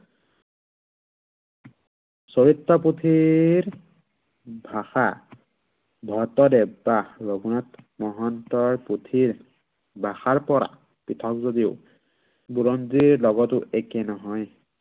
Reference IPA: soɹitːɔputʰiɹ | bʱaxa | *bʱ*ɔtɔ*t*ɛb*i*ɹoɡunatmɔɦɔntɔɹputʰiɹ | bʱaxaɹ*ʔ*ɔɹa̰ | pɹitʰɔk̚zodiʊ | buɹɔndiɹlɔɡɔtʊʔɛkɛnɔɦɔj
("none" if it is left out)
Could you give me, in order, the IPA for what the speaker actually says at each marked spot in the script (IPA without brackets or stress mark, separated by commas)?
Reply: bʱ, d, a, p